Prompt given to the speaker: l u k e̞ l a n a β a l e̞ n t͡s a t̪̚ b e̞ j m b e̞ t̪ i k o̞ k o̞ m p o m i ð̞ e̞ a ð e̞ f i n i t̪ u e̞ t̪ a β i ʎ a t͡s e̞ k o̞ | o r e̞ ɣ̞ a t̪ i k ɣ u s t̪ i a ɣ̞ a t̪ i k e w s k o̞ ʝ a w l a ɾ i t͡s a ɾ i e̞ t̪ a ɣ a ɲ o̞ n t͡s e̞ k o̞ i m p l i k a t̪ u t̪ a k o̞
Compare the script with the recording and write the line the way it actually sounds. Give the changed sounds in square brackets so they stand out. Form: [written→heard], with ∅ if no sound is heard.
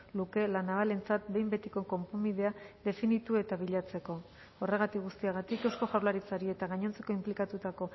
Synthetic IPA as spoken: l u k e̞ l a n a β a l e̞ n t͡s a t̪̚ b e̞ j m b e̞ t̪ i k o̞ k o̞ m p o m i ð̞ e̞ a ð e̞ f i n i t̪ u e̞ t̪ a β i ʎ a t͡s e̞ k o̞ | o r e̞ ɣ̞ a t̪ i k ɣ u s t̪ i a ɣ̞ a t̪ i k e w s k o̞ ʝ a w l a ɾ i t͡s a ɾ i e̞ t̪ a ɣ a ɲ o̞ n t͡s e̞ k o̞ i m p l i k a t̪ u t̪ a k o̞